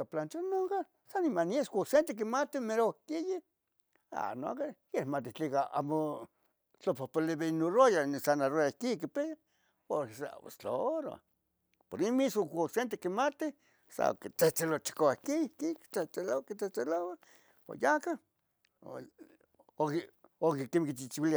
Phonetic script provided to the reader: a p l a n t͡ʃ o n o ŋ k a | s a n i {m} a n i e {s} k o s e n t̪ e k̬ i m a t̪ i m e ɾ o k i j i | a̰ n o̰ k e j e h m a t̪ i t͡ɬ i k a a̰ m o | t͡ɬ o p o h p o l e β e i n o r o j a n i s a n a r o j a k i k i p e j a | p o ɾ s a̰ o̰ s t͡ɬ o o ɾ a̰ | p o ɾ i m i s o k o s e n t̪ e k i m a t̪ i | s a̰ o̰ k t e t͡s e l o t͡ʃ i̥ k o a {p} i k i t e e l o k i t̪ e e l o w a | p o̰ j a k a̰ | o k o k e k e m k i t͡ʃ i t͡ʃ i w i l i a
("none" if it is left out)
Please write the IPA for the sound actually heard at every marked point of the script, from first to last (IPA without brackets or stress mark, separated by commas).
m, s, k